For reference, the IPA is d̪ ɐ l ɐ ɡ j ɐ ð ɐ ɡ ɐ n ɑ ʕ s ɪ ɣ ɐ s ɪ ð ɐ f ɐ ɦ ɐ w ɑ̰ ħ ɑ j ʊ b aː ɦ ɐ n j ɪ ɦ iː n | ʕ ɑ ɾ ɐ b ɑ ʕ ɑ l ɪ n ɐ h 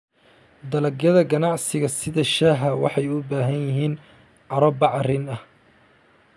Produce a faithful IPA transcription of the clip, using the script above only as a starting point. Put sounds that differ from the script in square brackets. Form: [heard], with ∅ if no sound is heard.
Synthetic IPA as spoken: d̪ ɐ l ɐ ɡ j ɐ ð ɐ ɡ ɐ n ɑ ʕ s ɪ ɣ ɐ s ɪ ð ɐ [ʃ] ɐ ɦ ɐ w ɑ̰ ħ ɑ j ʊ b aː ɦ ɐ n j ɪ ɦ iː n | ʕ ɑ ɾ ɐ b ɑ ʕ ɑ [r] ɪ n ɐ h